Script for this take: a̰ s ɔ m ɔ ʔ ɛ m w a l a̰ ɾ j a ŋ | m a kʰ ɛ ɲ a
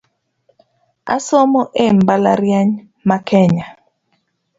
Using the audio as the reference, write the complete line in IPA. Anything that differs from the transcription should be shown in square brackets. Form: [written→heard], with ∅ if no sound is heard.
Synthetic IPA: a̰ s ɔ m ɔ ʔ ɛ m [w→b] a l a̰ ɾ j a [ŋ→ɲ] | m a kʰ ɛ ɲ a